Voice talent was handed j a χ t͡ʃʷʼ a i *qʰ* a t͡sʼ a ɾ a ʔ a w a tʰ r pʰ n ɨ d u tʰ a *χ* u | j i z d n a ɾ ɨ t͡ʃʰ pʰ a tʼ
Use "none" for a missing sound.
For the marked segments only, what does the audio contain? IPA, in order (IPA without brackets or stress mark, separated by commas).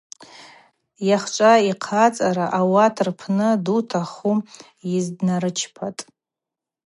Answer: qʰ, χ